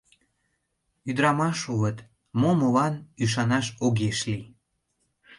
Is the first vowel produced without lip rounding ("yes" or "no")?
no